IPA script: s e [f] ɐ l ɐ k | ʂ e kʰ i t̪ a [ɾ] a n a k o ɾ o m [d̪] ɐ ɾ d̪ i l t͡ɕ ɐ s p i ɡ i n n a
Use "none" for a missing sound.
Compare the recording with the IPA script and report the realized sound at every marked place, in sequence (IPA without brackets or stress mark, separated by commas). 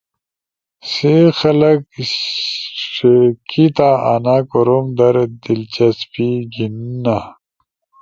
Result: x, none, d̪